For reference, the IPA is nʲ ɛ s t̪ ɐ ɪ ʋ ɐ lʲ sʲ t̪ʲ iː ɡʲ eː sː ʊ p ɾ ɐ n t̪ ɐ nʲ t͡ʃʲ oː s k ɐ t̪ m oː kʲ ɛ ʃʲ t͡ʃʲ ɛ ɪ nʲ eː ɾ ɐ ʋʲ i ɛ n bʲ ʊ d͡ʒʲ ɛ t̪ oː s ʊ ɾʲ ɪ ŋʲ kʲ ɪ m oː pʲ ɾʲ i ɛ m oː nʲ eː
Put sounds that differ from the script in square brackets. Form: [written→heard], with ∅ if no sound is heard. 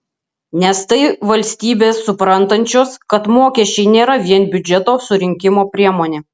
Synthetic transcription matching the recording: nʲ ɛ s t̪ ɐ ɪ ʋ ɐ lʲ sʲ t̪ʲ iː [ɡʲ→bʲ] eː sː ʊ p ɾ ɐ n t̪ ɐ nʲ t͡ʃʲ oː s k ɐ t̪ m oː kʲ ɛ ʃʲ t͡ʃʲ ɛ ɪ nʲ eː ɾ ɐ ʋʲ i ɛ n bʲ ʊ d͡ʒʲ ɛ t̪ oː s ʊ ɾʲ ɪ ŋʲ kʲ ɪ m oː pʲ ɾʲ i ɛ m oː nʲ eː